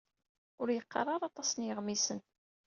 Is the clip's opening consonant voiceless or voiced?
voiced